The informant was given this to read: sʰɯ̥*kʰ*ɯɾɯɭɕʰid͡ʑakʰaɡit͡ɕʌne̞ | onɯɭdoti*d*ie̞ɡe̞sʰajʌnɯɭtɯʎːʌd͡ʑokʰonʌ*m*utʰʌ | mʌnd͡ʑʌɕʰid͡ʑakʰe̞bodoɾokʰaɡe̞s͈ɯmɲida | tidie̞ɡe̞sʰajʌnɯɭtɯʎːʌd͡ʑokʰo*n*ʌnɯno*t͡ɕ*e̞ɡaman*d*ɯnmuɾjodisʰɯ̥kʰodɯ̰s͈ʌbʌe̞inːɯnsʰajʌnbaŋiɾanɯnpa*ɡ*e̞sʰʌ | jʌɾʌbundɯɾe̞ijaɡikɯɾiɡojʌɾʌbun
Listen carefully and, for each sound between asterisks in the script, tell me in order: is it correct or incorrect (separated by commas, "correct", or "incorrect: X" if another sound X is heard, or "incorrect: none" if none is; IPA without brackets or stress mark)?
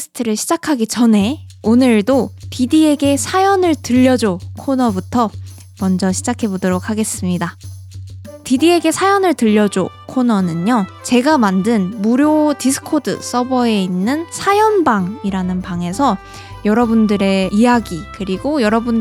incorrect: tʰ, correct, incorrect: b, correct, correct, correct, incorrect: ŋ